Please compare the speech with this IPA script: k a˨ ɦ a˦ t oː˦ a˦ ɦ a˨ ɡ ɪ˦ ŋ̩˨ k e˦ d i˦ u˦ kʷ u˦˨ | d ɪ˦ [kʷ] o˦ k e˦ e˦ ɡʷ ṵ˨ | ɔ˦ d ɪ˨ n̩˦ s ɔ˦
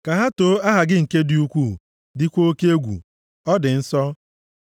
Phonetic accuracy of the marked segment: correct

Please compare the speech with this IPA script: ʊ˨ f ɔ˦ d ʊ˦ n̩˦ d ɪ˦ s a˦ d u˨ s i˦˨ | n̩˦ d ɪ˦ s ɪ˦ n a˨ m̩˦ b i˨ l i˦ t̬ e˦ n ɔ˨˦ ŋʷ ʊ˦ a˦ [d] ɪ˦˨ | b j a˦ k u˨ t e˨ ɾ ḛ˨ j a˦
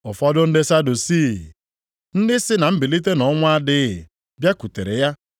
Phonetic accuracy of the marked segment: correct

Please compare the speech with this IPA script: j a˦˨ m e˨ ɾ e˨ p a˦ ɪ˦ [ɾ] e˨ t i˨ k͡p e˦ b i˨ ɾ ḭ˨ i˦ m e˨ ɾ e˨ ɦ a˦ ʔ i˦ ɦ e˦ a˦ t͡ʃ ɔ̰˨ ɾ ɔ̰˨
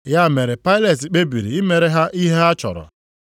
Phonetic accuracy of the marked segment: incorrect: l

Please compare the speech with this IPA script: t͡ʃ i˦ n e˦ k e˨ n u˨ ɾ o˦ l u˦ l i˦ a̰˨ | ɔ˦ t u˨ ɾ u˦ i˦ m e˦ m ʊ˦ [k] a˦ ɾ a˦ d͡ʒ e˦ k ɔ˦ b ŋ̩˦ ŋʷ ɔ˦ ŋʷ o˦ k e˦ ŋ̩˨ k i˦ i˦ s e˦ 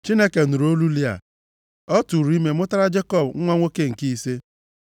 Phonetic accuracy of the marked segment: incorrect: t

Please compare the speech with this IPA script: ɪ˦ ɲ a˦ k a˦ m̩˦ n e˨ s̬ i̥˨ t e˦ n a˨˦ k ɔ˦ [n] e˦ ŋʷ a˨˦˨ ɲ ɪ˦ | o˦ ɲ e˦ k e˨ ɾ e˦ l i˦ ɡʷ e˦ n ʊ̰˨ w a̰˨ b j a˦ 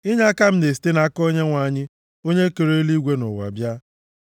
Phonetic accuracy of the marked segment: incorrect: ɲ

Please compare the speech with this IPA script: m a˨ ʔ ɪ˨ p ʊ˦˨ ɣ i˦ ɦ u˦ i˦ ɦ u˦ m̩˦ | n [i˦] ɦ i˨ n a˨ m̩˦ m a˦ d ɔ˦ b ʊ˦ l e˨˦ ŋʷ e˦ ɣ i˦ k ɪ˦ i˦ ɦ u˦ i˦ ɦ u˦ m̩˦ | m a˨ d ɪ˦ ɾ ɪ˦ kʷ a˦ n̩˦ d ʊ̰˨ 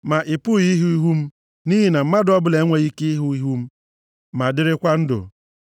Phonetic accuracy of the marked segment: correct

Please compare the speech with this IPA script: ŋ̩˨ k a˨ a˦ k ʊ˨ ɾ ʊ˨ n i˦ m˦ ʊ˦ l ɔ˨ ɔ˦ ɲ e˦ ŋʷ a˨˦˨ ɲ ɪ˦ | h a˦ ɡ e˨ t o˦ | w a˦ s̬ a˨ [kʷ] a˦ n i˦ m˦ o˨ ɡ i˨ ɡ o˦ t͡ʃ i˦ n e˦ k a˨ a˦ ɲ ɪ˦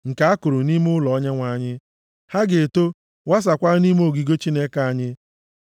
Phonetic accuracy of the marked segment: correct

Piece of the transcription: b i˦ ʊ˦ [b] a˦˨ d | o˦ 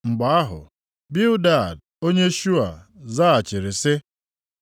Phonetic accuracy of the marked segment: incorrect: d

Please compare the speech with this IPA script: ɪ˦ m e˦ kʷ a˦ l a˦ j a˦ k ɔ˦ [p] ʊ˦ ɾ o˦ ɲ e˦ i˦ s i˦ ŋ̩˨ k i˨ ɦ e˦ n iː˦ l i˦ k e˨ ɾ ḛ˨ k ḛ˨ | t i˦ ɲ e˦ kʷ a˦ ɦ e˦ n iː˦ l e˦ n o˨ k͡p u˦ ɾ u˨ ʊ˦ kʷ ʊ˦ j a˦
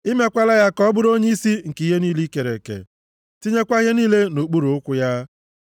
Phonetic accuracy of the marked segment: incorrect: b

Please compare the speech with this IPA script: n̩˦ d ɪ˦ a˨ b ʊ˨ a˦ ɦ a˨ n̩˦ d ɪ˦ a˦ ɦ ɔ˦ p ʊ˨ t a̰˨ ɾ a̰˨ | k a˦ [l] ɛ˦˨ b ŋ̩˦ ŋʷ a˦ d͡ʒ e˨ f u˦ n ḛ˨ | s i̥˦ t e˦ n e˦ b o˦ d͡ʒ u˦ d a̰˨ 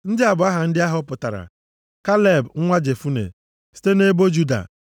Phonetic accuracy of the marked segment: correct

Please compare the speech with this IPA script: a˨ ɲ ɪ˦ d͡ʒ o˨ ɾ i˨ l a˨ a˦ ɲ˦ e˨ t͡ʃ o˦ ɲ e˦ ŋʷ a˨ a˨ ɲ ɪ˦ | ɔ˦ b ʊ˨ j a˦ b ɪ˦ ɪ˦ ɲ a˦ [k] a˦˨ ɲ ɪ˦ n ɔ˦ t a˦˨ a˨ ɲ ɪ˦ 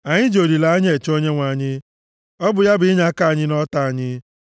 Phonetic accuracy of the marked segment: correct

